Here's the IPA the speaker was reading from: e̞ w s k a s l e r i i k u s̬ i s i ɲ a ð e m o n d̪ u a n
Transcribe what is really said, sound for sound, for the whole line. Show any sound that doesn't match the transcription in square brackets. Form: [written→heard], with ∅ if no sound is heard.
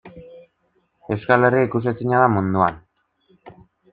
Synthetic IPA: e̞ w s k a [s→∅] l e r i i k u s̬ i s i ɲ a ð [e→a] m [o→u] n d̪ u a n